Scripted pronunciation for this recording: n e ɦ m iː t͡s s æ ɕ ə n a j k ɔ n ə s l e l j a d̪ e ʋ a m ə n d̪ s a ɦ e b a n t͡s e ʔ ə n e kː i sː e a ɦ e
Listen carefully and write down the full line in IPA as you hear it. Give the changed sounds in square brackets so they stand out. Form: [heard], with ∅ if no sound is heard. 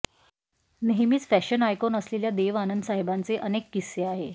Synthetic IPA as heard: n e ɦ m iː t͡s [f] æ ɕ ə n a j k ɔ n ə s l e l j a d̪ e ʋ a [n] ə n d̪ s a ɦ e b a n t͡s e ʔ ə n e kː i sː e a ɦ e

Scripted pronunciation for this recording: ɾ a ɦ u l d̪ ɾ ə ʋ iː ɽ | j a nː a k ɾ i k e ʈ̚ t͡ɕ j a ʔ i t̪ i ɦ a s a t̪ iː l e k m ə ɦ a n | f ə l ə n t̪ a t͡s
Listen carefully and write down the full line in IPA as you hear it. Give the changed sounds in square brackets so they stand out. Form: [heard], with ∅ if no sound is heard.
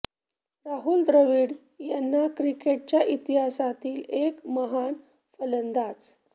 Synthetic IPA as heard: ɾ a ɦ u l d̪ ɾ ə ʋ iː ɽ | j a nː a k ɾ i k e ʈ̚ t͡ɕ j a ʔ i t̪ i ɦ a s a t̪ iː l e k m ə ɦ a n | f ə l ə n [d̪] a t͡s

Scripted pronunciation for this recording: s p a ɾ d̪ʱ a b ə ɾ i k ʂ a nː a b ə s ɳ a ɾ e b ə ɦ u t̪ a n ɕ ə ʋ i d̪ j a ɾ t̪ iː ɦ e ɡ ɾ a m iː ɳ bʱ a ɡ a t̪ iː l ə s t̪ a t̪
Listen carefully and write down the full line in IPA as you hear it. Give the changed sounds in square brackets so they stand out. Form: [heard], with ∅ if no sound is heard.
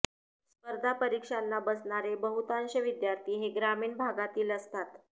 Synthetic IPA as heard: s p [ə] ɾ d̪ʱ a [p] ə ɾ i k ʂ a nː a b ə s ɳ a ɾ e b ə ɦ u t̪ a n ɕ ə ʋ i d̪ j a ɾ t̪ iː ɦ e ɡ ɾ a m iː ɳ bʱ a ɡ a t̪ iː l ə s t̪ a t̪

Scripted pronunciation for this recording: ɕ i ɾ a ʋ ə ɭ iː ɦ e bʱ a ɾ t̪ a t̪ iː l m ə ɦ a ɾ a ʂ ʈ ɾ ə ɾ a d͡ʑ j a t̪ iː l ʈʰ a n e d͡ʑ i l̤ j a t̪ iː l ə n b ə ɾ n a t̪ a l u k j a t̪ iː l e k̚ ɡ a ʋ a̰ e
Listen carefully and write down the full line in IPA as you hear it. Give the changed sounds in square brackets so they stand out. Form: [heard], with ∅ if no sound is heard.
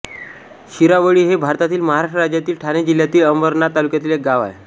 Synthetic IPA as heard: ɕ i ɾ a ʋ ə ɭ iː ɦ e bʱ a ɾ t̪ a t̪ iː l m ə ɦ a ɾ a ʂ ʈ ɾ ə ɾ a d͡ʑ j a t̪ iː l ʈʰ a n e d͡ʑ i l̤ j a t̪ iː l ə [m] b ə ɾ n a t̪ a l u k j a t̪ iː l e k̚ ɡ a ʋ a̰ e

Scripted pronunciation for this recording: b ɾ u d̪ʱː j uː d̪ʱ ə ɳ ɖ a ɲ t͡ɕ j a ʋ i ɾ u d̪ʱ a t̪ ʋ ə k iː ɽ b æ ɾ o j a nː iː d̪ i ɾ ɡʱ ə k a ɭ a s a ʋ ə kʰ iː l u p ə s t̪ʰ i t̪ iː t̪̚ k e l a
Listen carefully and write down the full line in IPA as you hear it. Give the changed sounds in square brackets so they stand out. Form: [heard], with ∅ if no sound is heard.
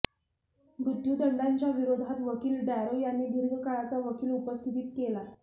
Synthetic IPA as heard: b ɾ u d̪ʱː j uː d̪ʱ ə ɳ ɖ a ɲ t͡ɕ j a ʋ i ɾ [o] d̪ʱ a t̪ ʋ ə k iː [l] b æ ɾ o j a nː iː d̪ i ɾ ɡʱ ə k a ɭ a [t͡s] a ʋ ə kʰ iː l u p ə s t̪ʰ i t̪ iː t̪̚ k e l a

